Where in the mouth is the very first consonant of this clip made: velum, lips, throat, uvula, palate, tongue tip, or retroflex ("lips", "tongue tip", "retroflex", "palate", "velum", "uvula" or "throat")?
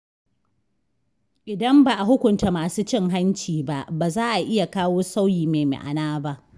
throat